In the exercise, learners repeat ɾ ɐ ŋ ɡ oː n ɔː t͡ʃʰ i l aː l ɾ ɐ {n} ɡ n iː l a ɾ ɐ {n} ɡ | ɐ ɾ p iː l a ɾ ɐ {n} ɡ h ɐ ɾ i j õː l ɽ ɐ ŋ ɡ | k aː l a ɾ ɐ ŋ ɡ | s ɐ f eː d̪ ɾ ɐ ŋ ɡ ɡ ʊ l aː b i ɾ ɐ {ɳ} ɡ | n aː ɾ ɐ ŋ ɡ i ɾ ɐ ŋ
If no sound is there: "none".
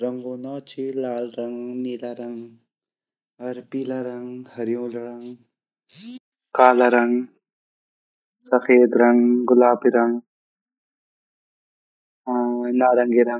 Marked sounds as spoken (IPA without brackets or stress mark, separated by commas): ŋ, ŋ, ŋ, ŋ